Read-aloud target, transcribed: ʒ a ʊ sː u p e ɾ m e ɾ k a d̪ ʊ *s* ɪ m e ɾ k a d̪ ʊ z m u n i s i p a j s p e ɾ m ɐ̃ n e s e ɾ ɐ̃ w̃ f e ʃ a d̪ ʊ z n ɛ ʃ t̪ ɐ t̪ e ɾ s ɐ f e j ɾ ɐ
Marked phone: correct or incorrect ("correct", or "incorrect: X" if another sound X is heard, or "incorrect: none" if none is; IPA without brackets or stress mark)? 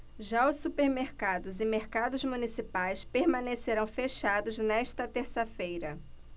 incorrect: z